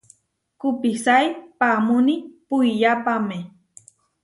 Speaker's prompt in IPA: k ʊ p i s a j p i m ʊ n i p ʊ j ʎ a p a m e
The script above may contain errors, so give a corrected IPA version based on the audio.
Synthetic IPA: k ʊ p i s a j p a m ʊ n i p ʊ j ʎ a p a m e